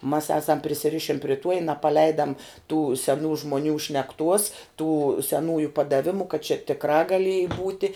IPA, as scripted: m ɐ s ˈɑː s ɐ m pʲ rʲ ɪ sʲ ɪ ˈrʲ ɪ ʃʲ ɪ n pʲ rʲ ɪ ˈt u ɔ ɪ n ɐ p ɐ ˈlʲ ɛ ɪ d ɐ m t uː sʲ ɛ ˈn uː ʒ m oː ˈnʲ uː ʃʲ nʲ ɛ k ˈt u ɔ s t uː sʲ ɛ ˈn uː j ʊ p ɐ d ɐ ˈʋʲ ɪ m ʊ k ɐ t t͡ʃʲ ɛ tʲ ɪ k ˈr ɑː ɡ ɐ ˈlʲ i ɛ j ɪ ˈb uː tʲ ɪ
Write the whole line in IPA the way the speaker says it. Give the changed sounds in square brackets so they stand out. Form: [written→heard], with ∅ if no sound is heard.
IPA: m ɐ s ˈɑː s ɐ m pʲ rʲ ɪ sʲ ɪ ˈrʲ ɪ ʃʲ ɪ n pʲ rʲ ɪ ˈt u ɔ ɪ n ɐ p ɐ ˈlʲ ɛ ɪ d ɐ m t uː sʲ ɛ ˈn uː ʒ m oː ˈnʲ uː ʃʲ nʲ ɛ k ˈt u ɔ s t uː sʲ ɛ ˈn uː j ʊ p ɐ d ɐ ˈʋʲ ɪ m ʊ k ɐ t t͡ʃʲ ɛ tʲ ɪ k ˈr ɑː ɡ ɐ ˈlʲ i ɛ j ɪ ˈb uː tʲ ɪ